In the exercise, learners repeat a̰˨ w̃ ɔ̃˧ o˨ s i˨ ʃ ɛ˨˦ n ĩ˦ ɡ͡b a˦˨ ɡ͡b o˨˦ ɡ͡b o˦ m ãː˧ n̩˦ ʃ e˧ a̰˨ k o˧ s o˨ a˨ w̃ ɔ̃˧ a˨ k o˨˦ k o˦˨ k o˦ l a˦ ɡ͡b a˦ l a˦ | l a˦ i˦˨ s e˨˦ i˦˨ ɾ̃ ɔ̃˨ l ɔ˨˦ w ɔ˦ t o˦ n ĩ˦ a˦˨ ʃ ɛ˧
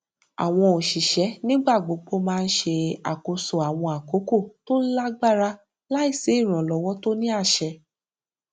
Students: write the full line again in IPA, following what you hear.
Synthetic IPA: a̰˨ w̃ ɔ̃˧ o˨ ʃ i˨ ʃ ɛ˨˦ n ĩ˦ ɡ͡b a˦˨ ɡ͡b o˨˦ ɡ͡b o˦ m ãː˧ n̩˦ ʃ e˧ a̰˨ k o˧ s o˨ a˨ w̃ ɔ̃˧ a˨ k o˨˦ k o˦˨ t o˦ l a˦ ɡ͡b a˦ ɾ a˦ | l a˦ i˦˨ s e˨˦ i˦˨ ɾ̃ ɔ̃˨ l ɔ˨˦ w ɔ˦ t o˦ n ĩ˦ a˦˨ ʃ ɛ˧